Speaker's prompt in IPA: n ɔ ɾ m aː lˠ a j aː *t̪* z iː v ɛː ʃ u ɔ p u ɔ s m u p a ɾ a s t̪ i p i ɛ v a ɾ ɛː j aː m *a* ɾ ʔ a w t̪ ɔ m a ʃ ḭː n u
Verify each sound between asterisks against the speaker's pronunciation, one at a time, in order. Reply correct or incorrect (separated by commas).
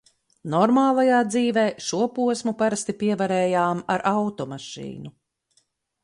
incorrect, correct